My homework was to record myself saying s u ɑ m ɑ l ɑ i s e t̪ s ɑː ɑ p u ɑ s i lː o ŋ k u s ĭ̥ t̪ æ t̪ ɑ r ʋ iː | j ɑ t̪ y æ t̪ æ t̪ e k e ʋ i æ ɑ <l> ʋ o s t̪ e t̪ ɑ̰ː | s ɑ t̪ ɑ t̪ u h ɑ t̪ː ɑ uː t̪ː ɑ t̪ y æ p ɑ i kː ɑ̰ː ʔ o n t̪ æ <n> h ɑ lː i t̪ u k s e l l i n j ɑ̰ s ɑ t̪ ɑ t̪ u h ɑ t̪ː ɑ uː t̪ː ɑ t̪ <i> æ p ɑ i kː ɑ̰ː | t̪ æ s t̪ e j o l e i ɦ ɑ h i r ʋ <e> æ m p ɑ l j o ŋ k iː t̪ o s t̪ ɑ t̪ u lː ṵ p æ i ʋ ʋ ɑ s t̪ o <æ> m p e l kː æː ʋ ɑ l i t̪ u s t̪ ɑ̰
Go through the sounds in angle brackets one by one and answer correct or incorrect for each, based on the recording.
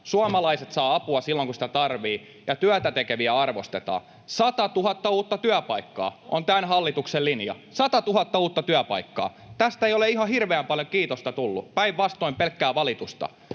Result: incorrect: r, correct, incorrect: y, correct, incorrect: i

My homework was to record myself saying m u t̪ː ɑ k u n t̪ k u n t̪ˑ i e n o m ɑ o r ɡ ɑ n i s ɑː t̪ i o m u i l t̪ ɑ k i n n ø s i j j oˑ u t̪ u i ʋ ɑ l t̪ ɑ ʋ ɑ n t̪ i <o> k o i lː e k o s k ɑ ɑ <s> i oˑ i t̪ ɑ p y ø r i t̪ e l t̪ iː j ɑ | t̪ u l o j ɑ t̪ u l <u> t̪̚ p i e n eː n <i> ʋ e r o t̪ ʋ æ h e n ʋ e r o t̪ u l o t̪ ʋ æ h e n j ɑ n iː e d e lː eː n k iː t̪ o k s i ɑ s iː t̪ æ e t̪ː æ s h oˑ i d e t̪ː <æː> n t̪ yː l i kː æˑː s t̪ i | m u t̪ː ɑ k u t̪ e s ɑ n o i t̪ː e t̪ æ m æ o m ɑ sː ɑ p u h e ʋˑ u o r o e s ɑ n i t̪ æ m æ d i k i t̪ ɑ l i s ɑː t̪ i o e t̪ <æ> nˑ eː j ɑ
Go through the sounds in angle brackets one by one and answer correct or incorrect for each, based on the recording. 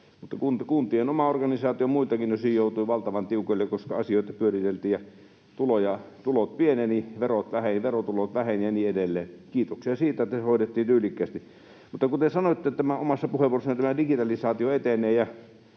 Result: incorrect: u, correct, incorrect: o, correct, incorrect: iː, incorrect: e

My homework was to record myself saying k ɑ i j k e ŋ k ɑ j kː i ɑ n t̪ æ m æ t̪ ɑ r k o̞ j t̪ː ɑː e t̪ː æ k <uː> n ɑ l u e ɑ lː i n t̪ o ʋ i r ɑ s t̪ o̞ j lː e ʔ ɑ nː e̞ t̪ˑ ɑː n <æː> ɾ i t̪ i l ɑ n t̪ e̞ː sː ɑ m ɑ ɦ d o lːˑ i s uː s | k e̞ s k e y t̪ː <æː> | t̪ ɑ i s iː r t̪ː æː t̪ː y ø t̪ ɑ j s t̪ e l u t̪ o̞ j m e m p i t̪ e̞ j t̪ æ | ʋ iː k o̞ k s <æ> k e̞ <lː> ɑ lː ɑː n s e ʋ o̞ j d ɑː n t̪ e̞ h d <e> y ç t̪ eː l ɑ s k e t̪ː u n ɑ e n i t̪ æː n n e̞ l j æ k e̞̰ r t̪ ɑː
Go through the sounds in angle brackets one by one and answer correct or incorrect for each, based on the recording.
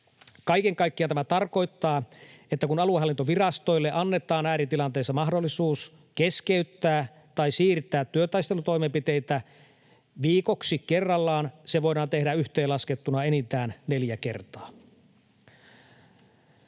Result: incorrect: u, correct, correct, incorrect: i, incorrect: rː, incorrect: æ

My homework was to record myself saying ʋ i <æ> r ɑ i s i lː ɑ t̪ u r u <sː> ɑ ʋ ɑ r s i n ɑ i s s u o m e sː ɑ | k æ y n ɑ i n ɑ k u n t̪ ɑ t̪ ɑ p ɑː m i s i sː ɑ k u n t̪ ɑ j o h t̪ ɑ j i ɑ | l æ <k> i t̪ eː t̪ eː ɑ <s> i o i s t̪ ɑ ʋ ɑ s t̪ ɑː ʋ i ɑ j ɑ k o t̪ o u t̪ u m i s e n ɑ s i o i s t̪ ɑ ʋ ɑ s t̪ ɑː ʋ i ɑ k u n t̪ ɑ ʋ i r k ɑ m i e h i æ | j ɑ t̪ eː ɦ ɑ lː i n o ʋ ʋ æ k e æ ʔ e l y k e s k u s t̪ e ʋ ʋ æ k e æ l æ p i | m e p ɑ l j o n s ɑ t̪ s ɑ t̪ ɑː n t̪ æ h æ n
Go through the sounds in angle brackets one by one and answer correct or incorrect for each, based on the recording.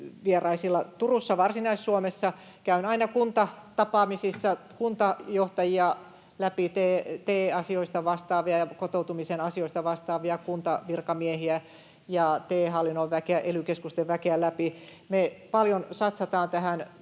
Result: incorrect: e, correct, incorrect: p, correct

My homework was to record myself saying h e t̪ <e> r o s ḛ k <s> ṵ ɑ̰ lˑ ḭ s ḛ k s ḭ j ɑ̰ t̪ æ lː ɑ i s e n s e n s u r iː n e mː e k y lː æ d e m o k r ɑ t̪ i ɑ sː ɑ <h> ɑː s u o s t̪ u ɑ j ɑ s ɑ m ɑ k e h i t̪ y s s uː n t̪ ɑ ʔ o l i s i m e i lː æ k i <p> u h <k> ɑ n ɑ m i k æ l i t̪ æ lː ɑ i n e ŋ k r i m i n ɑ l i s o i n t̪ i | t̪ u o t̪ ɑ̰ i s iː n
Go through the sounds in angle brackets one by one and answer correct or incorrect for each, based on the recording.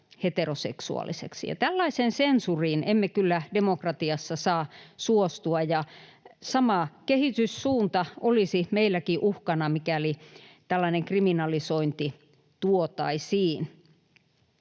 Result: correct, correct, incorrect: s, incorrect: ʔ, correct

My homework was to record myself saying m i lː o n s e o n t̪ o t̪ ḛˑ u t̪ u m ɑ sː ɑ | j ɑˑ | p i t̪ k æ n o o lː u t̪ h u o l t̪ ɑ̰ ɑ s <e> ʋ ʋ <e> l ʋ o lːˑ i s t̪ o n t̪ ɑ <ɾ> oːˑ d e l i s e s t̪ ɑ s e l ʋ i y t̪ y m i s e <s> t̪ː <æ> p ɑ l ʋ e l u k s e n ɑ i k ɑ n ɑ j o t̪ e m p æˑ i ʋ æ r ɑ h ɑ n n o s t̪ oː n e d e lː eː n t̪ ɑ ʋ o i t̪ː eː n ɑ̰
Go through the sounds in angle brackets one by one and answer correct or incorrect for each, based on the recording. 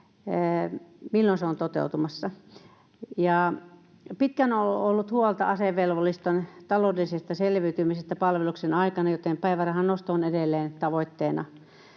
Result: correct, correct, incorrect: l, correct, correct

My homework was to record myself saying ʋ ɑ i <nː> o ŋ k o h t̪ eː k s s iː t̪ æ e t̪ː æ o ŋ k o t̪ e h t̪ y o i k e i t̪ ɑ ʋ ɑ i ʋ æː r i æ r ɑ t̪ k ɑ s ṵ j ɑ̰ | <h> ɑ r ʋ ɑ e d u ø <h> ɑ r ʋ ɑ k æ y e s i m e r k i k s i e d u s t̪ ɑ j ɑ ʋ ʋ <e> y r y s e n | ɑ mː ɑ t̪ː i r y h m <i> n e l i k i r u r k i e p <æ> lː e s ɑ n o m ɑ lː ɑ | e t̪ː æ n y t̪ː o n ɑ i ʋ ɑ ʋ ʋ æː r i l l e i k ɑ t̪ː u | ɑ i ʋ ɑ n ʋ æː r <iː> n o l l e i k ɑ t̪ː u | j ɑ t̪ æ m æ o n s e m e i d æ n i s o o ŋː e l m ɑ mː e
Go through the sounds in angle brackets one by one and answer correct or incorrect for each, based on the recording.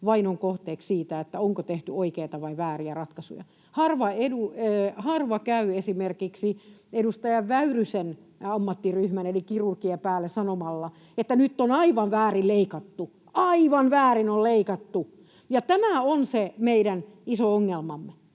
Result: incorrect: n, correct, correct, incorrect: æ, incorrect: æ, incorrect: æː, incorrect: i

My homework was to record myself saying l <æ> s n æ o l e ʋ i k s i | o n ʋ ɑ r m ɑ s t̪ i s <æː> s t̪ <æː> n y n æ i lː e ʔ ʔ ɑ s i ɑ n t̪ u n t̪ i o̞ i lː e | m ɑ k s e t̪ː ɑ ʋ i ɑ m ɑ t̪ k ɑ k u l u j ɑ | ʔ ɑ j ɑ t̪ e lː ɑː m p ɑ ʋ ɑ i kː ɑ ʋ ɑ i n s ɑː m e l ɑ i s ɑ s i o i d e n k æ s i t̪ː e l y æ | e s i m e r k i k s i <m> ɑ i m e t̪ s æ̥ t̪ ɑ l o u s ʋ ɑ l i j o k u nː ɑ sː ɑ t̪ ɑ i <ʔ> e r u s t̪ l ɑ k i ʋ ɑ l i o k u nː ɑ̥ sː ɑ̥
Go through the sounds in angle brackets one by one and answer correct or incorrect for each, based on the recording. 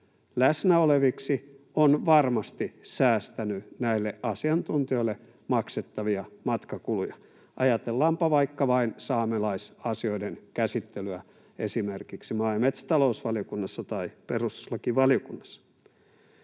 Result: correct, correct, incorrect: æ, correct, incorrect: p

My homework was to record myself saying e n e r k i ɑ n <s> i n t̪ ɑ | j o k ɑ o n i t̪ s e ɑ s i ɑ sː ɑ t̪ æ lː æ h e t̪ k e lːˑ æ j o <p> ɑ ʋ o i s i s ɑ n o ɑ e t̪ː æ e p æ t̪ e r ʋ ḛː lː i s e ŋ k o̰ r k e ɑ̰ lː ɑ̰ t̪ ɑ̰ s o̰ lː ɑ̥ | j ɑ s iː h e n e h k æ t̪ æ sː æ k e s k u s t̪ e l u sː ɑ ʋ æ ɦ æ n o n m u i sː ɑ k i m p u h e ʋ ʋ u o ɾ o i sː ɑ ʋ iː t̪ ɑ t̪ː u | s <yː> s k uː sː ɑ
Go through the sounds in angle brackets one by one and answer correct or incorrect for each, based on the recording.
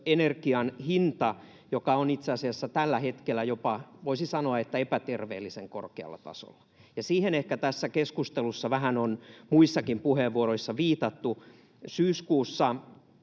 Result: incorrect: h, correct, correct

